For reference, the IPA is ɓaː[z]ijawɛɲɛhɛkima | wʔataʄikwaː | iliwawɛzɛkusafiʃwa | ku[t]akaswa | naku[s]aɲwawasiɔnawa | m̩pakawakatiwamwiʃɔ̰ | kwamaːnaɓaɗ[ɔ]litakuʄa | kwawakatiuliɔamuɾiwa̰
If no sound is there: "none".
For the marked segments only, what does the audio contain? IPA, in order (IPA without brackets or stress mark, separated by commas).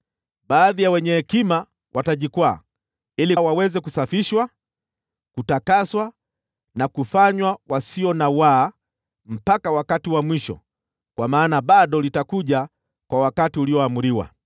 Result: ð, t, f, ɔ